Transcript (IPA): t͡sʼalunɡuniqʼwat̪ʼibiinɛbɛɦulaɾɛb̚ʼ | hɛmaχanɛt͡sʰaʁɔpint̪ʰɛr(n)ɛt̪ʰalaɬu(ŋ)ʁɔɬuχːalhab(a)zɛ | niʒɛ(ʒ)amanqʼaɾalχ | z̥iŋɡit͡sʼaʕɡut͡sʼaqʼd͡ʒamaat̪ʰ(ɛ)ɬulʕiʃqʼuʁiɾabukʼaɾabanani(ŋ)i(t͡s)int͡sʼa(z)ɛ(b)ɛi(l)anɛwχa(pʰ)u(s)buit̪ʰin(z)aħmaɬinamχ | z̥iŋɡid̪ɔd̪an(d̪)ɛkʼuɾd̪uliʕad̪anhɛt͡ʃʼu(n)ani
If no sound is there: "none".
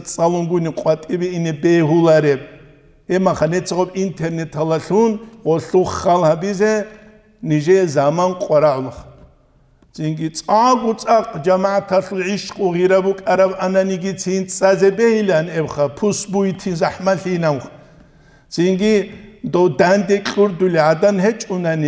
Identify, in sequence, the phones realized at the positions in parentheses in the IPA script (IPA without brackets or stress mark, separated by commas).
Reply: n, n, i, z, a, ɡ, t͡sʰ, z, b, l, pʰ, s, z, d̪, n